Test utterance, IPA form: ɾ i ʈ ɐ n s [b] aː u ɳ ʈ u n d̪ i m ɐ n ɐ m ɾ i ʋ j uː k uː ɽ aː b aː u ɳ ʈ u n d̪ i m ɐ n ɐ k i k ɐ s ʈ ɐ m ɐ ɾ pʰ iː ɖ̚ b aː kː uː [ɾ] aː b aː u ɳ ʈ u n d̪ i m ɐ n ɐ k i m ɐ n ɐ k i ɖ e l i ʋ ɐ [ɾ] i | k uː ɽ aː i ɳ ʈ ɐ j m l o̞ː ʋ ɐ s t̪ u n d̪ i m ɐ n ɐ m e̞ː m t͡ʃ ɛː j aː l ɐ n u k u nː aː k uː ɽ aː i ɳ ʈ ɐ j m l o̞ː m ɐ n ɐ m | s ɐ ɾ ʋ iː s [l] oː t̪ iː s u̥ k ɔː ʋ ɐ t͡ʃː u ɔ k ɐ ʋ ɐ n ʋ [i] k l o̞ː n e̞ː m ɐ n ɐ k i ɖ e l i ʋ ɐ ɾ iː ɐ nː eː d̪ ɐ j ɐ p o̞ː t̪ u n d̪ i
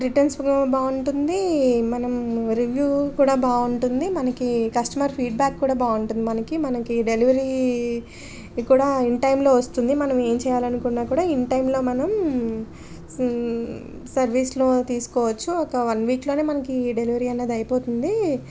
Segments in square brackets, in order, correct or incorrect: correct, incorrect, correct, correct, incorrect

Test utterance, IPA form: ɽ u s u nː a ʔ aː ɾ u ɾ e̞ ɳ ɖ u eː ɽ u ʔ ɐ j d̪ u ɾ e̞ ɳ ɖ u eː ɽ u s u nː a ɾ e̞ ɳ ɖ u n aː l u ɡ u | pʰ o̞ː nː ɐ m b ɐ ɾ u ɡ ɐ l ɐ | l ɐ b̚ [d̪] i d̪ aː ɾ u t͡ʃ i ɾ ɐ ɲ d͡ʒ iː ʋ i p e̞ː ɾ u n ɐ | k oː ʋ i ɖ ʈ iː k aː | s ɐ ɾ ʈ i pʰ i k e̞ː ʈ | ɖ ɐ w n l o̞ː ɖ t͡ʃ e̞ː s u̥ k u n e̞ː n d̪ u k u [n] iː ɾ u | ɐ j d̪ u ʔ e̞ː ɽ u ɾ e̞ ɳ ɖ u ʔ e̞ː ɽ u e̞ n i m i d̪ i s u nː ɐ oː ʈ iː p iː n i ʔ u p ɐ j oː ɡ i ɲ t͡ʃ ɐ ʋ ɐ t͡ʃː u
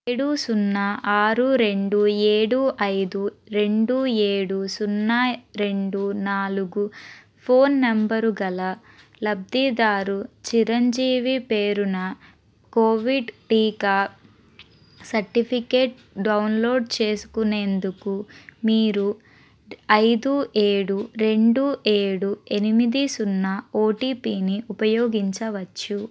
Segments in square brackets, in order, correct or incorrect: correct, incorrect

